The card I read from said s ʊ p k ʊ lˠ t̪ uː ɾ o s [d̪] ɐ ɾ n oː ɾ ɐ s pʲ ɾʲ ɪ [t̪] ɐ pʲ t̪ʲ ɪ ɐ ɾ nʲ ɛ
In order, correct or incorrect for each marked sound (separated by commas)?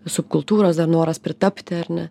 correct, correct